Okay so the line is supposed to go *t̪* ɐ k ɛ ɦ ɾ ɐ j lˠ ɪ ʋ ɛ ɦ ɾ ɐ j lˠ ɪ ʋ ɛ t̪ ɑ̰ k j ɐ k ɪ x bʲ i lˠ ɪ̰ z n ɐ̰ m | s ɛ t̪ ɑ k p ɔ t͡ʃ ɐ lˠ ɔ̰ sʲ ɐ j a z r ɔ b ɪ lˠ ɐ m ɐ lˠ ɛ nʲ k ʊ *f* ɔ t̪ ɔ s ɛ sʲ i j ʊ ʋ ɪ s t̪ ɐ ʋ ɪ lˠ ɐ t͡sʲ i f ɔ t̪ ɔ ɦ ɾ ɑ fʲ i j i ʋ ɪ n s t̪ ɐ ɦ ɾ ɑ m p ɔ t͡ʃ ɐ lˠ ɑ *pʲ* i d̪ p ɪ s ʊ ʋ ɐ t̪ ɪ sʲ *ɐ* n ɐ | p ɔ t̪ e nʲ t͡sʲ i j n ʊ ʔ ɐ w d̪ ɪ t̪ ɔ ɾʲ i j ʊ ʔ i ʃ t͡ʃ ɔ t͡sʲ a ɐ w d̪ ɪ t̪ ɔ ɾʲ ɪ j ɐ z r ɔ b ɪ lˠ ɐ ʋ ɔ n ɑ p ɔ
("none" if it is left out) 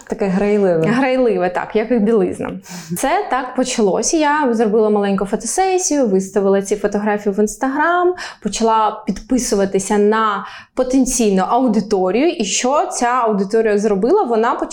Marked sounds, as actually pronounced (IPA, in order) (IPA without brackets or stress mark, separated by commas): t̪, f, pʲ, ɐ